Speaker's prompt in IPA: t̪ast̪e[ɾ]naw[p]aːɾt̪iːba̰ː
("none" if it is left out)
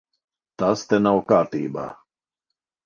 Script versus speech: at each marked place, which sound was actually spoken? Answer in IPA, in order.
none, k

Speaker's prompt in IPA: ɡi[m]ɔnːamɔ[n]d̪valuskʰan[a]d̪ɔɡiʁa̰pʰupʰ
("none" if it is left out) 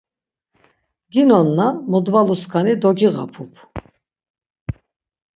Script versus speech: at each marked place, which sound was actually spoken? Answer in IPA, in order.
n, none, i

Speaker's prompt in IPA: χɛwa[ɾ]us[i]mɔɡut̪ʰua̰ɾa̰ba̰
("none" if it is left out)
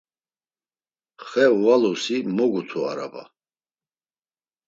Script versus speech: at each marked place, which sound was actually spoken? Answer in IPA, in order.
l, i

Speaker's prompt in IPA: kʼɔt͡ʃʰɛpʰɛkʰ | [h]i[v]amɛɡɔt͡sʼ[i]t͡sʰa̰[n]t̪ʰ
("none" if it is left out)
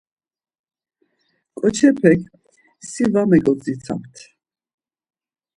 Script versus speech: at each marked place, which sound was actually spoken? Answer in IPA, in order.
s, v, i, m

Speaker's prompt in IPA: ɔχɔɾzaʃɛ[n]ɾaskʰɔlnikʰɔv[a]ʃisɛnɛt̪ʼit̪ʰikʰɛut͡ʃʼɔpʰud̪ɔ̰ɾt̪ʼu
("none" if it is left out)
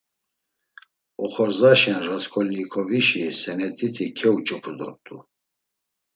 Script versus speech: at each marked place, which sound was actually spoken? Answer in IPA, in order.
n, i

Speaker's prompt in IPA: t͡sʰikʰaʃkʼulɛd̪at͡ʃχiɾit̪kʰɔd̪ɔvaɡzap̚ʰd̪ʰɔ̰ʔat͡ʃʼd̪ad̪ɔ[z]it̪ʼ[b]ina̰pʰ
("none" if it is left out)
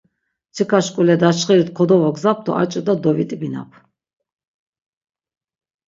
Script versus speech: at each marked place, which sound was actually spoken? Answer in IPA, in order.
v, b

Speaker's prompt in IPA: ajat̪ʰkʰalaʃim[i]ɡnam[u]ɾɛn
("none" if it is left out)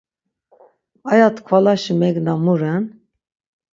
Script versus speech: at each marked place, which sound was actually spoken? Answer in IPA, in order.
ɛ, u

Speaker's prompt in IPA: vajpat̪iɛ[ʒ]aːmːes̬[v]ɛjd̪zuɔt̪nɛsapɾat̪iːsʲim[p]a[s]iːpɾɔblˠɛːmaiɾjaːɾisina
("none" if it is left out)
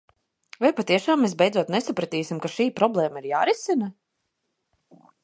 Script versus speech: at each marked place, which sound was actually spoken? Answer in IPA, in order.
ʃ, b, k, ʃ

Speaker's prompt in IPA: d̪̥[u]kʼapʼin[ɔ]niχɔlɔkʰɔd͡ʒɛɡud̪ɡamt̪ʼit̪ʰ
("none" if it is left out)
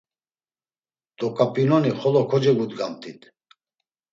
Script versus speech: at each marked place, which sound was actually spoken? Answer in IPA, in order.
ɔ, ɔ

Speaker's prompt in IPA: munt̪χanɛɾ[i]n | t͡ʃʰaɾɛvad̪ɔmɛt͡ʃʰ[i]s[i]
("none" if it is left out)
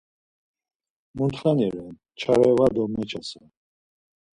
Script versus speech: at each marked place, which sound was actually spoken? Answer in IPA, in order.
ɛ, a, a

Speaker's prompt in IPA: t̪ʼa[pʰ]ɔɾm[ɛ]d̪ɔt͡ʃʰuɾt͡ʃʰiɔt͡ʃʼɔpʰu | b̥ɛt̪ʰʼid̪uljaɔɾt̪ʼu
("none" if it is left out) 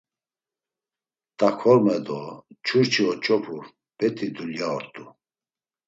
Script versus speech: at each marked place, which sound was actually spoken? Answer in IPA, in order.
kʰ, ɛ

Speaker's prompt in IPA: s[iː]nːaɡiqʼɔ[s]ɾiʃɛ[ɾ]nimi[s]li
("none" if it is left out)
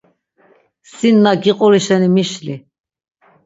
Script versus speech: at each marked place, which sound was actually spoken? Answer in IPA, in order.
i, none, none, ʃ

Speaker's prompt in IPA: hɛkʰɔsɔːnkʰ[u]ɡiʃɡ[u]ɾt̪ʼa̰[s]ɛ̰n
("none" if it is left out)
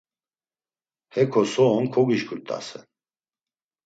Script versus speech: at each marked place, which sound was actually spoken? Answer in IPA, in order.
ɔ, u, s

